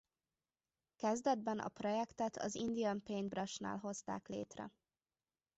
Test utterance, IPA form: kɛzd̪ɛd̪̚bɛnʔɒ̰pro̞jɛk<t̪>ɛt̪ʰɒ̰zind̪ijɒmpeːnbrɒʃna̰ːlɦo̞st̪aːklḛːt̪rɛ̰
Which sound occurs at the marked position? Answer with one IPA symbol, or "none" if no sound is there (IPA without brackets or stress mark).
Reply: t̪